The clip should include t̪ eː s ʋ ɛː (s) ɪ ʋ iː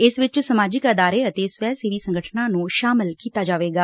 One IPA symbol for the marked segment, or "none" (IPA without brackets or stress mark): s